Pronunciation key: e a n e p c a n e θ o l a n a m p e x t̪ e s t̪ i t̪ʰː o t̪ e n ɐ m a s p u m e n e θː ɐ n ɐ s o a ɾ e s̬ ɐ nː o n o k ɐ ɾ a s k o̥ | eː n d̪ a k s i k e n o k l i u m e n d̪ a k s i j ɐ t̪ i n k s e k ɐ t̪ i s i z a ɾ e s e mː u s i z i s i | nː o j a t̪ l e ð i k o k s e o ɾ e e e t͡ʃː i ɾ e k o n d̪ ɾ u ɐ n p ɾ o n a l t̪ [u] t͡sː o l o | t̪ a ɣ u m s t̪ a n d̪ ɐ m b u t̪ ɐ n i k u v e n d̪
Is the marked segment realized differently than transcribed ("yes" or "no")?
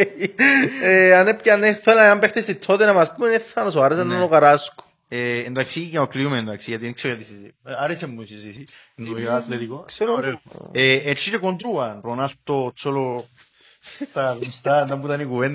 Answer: yes